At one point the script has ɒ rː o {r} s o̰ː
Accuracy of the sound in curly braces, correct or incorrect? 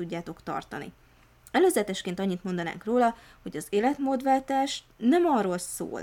incorrect